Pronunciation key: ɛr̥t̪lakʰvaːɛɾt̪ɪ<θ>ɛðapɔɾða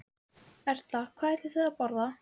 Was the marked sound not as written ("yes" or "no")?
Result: no